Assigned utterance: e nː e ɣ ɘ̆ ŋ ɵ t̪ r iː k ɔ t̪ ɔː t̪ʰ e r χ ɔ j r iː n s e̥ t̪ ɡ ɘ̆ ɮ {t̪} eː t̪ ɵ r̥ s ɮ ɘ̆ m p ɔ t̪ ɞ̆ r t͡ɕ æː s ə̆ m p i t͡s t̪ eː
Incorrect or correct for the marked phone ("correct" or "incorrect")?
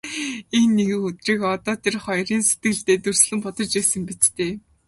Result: correct